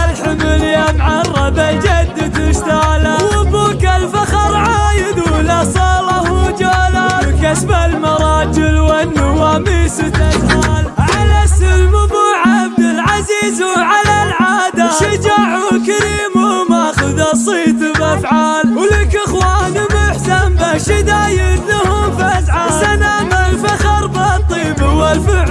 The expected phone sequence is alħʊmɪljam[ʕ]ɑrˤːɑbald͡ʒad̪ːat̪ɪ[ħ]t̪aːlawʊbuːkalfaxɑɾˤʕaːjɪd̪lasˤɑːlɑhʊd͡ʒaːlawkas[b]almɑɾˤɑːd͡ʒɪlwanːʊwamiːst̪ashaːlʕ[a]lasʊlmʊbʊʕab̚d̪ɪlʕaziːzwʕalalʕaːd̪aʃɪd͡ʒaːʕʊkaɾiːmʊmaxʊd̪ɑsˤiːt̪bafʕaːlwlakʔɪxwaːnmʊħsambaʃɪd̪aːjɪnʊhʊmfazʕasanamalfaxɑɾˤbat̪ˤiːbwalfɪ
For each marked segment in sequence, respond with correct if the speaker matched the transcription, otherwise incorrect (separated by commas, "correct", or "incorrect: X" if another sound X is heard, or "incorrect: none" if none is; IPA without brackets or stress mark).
correct, incorrect: ʃ, correct, correct